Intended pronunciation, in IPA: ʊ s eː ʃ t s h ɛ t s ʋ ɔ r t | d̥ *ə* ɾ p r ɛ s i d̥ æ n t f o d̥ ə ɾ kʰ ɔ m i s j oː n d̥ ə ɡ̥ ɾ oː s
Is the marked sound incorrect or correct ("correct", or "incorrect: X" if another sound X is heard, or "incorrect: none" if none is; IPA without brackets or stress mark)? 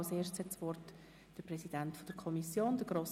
correct